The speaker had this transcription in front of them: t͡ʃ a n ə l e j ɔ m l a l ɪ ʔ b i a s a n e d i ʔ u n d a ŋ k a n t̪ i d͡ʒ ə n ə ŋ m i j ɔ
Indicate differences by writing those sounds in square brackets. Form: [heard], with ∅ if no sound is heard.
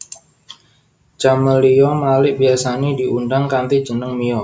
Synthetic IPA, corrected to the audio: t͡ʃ a [m] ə l [i] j ɔ m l a l ɪ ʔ b i a s a n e d i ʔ u n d a ŋ k a n t̪ i d͡ʒ ə n ə ŋ m i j ɔ